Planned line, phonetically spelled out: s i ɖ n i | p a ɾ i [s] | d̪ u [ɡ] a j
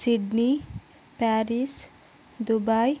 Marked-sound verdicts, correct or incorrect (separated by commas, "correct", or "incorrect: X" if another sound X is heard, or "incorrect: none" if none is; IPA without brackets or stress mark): correct, incorrect: b